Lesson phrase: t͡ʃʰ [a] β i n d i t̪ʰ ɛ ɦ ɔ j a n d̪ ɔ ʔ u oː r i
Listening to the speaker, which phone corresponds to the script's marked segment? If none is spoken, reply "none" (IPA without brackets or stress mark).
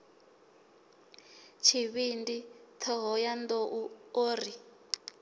i